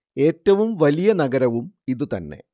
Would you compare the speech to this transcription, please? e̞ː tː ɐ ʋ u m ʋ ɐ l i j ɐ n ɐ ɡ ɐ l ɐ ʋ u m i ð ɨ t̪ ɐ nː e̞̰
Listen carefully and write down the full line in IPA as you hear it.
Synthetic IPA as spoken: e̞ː tː ɐ ʋ u m ʋ ɐ l i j ɐ n ɐ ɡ ɐ ɾ ɐ ʋ u m i ð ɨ t̪ ɐ nː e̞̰